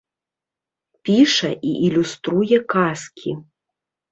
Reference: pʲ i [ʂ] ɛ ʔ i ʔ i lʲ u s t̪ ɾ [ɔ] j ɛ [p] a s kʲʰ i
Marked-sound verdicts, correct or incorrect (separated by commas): correct, incorrect, incorrect